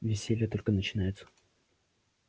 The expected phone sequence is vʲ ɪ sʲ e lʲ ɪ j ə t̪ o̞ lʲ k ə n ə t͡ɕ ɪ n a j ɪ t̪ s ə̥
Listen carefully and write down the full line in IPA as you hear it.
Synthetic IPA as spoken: vʲ ɪ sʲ e lʲ ɪ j ə t̪ o̞ lʲ k ə n ə t͡ɕ ɪ n a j ɪ t̪ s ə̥